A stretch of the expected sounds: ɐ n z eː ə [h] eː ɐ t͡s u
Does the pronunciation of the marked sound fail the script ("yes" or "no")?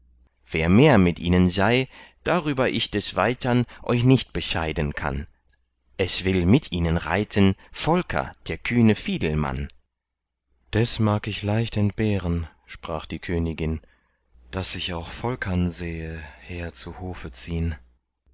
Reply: no